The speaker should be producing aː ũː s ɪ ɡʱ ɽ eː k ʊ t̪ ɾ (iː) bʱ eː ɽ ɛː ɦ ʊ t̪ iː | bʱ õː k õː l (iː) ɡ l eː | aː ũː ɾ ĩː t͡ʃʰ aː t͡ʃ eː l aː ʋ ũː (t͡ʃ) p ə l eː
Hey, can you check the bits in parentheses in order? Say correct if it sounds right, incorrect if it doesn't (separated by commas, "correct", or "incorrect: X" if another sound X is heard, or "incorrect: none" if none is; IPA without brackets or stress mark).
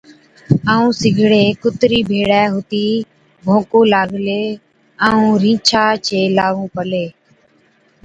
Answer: correct, incorrect: aː, incorrect: none